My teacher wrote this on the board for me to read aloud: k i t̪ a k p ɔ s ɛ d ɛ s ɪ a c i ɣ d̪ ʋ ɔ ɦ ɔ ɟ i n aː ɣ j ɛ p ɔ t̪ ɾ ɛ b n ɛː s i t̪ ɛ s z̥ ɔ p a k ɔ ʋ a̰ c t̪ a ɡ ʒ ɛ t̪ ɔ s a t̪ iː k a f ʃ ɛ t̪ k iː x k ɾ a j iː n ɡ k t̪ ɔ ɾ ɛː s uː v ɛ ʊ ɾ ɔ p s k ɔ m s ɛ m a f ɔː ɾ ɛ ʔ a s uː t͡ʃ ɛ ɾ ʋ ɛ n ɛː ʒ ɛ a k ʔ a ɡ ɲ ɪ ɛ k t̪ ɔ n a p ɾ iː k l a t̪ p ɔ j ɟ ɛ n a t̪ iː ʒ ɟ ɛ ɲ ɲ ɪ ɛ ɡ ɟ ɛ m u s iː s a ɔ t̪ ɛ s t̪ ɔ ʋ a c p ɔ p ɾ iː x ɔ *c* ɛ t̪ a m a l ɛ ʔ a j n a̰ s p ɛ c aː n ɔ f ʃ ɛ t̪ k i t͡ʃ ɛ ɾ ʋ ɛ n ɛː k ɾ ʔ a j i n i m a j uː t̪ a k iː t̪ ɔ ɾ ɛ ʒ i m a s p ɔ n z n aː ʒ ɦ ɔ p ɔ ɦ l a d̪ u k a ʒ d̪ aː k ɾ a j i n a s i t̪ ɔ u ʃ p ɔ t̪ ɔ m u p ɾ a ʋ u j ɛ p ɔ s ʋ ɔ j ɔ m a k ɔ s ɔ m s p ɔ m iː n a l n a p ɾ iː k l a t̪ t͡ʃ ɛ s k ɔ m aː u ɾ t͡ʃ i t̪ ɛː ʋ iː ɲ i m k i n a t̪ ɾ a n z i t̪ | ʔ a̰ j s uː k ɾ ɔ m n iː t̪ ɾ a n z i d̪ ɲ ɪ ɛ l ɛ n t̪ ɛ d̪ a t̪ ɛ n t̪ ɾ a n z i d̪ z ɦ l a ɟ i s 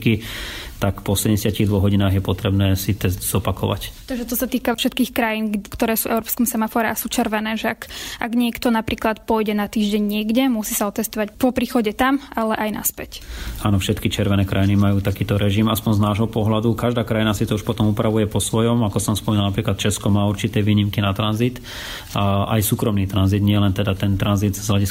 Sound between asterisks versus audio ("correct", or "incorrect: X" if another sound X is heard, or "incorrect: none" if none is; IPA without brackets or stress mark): incorrect: ɟ